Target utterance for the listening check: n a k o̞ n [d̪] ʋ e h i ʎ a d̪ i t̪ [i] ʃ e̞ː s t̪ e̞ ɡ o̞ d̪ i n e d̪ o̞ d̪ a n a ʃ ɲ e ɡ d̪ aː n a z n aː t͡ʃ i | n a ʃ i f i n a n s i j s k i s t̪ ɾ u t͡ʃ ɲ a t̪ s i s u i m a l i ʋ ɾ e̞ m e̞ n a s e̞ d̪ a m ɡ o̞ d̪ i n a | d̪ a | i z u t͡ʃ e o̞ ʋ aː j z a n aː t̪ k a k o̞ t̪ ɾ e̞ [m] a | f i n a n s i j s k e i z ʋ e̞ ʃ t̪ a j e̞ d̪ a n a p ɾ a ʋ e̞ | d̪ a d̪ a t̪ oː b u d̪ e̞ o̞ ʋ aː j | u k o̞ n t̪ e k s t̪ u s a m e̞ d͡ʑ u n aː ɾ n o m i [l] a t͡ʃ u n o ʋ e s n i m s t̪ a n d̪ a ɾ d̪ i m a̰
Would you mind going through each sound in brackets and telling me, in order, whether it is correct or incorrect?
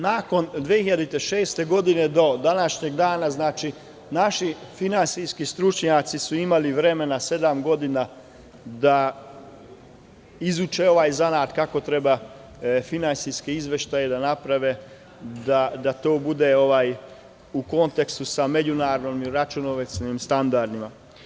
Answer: correct, incorrect: e, incorrect: b, incorrect: ɾ

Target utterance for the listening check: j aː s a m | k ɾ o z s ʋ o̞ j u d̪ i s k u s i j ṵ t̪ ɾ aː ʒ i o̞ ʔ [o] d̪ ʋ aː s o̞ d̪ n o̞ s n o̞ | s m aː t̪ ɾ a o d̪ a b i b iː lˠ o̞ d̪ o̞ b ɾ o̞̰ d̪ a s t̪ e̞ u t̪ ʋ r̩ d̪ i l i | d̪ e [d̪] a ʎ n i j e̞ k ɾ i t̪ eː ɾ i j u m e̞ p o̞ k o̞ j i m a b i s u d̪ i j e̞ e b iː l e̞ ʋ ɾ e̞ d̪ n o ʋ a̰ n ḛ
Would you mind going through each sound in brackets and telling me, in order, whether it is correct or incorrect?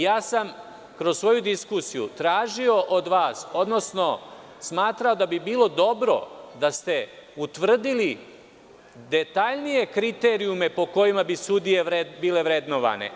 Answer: correct, incorrect: t̪

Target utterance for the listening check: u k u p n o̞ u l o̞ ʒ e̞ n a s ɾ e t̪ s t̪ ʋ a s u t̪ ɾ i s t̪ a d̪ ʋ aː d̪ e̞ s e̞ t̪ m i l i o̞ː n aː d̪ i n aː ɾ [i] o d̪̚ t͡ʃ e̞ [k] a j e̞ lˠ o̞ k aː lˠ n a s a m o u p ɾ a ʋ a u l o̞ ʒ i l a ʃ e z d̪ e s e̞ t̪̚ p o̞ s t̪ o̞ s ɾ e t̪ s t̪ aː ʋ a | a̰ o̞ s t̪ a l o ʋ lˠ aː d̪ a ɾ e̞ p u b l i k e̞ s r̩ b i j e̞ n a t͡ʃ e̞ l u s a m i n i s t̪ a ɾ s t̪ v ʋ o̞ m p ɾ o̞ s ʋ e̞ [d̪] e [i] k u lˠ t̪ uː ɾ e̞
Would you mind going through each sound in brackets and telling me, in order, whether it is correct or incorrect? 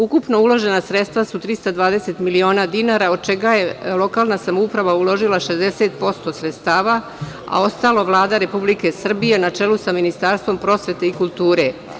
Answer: incorrect: a, incorrect: ɡ, incorrect: t̪, correct

